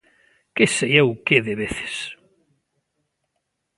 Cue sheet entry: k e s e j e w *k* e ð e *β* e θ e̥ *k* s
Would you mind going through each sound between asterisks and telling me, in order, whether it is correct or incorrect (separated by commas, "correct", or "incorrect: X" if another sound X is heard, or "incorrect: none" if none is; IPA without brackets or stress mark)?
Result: correct, correct, incorrect: none